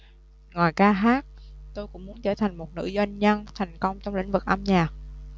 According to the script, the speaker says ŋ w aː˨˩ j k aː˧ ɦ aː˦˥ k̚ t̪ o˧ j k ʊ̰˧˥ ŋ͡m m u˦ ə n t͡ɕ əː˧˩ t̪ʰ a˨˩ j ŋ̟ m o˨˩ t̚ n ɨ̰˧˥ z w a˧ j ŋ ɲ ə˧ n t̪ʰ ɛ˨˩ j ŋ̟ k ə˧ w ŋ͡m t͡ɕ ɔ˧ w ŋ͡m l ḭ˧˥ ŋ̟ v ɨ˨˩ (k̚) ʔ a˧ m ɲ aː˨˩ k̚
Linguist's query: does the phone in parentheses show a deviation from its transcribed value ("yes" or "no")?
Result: no